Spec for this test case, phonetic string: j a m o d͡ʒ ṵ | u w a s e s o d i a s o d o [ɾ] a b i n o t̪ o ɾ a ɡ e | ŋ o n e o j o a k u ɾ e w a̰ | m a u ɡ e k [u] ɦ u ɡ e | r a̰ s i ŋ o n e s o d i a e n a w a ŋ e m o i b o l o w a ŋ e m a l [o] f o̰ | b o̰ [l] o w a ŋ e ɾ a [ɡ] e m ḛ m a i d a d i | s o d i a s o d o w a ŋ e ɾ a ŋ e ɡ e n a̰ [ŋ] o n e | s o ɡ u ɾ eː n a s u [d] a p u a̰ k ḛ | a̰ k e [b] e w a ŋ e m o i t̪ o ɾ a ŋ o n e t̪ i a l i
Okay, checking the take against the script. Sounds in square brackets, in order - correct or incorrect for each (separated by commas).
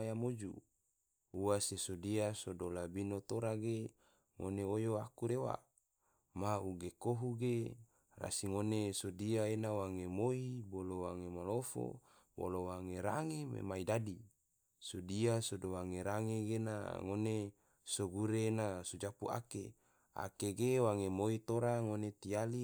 incorrect, incorrect, correct, correct, incorrect, correct, incorrect, incorrect